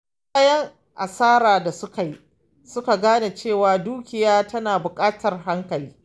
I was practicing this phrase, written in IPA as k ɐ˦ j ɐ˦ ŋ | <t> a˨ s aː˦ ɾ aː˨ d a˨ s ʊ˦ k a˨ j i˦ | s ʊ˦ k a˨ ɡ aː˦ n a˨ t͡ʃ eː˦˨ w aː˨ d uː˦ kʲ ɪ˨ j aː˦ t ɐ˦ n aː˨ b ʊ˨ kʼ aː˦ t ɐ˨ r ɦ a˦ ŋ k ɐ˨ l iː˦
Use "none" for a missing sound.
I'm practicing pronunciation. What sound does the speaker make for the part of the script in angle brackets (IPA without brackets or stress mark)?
ʔ